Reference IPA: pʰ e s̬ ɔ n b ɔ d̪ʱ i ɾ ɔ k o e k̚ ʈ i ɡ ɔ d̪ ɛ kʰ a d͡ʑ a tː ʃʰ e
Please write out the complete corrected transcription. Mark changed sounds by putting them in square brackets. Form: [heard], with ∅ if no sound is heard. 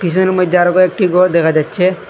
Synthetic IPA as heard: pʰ [i] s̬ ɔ n [m] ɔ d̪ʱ [a] ɾ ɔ k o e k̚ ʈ i ɡ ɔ d̪ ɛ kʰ a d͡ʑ a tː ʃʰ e

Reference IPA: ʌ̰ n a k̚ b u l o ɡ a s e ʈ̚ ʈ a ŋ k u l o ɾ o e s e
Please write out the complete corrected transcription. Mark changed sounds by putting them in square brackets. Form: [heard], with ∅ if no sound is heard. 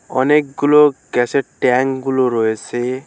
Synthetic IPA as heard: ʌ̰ n [e] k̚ [ɡ] u l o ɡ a s e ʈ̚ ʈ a ŋ [ɡ] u l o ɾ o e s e

